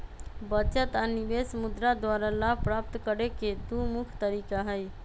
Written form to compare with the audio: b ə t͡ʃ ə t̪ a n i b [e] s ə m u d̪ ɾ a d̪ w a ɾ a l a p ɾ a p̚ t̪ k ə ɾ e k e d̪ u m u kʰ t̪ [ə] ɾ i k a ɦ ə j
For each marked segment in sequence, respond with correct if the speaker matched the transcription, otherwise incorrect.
correct, correct

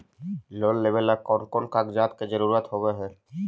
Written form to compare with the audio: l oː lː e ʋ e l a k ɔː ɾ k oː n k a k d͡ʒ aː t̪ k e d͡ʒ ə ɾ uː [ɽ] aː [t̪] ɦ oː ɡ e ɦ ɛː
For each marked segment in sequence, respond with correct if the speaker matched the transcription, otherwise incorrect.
incorrect, correct

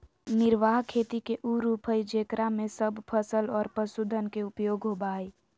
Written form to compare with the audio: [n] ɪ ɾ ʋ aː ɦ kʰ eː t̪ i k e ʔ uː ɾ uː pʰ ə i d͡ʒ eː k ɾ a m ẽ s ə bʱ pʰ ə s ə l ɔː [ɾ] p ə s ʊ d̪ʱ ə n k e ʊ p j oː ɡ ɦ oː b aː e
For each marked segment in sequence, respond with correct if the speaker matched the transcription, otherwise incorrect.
correct, correct

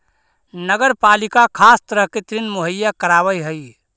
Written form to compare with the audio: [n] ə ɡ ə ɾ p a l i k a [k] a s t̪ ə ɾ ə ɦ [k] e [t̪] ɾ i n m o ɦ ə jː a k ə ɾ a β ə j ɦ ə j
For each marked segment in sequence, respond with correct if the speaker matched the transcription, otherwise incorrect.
correct, incorrect, correct, correct

